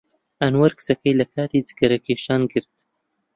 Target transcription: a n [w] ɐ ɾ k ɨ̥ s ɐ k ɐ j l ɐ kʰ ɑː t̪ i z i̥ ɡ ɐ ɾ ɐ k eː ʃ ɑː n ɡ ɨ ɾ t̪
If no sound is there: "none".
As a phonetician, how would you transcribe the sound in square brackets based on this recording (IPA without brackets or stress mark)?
w